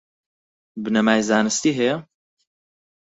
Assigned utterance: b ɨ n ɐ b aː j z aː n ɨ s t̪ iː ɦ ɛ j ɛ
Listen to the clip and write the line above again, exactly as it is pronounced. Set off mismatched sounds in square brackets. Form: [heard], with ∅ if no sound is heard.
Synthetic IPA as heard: b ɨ n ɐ [m] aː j z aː n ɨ s t̪ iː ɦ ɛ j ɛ